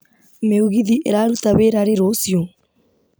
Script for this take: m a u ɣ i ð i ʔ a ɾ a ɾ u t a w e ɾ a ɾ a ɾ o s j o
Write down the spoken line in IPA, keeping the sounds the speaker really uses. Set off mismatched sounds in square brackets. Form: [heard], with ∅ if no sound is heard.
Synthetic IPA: m [e] u ɣ i ð i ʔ [e] ɾ a ɾ u t a [β] e ɾ a ɾ [e] ɾ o s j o